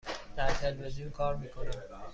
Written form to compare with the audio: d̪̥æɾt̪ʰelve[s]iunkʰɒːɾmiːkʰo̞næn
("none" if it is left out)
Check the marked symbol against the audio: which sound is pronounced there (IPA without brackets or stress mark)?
z